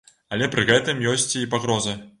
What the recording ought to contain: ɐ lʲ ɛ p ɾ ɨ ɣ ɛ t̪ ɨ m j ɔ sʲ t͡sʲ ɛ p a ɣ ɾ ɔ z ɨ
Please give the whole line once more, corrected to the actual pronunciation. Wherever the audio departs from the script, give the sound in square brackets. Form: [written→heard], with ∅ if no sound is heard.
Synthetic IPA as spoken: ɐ lʲ ɛ p ɾ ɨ ɣ ɛ t̪ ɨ m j ɔ sʲ t͡sʲ [ɛ→i] p a ɣ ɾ ɔ z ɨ